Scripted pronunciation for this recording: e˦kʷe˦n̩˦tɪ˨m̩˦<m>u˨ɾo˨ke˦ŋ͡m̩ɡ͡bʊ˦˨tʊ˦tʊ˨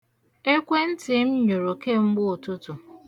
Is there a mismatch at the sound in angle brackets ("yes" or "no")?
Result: yes